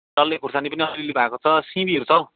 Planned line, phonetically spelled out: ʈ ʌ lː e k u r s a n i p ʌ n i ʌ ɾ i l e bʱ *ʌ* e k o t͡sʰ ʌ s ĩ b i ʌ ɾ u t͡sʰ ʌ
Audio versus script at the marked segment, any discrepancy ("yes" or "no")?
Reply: yes